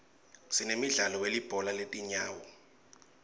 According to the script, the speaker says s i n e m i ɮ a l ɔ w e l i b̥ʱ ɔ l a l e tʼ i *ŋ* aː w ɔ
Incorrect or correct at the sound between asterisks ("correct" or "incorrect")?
incorrect